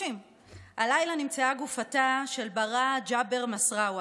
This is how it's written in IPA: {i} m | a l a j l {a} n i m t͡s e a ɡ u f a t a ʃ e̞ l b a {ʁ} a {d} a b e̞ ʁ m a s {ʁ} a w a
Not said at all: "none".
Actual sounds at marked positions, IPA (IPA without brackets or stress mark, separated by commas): i, a, ʁ, d͡ʒ, ʁ